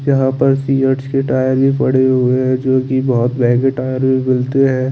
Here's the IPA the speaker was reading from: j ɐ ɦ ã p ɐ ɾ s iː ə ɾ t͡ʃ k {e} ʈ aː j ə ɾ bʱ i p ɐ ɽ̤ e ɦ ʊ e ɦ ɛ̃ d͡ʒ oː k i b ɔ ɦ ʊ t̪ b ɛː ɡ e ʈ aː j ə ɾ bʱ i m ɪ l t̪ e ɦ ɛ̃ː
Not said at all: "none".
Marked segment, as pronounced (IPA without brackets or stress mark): e